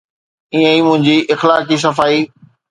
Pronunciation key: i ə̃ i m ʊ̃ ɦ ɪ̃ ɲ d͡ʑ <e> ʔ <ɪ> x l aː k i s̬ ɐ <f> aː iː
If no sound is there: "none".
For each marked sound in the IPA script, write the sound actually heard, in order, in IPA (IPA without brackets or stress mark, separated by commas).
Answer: i, ɪ, f